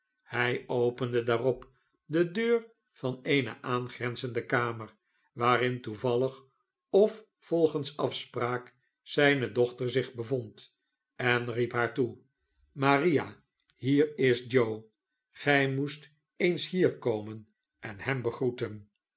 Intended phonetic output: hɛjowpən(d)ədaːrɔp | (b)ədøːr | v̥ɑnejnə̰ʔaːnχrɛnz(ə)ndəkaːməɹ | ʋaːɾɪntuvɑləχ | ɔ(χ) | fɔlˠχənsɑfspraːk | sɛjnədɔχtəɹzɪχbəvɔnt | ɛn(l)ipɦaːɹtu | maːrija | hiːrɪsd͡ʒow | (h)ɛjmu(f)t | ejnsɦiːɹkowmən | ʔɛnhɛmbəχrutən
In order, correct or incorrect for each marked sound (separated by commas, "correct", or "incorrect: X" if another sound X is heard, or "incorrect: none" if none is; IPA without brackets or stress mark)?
correct, incorrect: d, correct, incorrect: f, incorrect: r, incorrect: χ, incorrect: s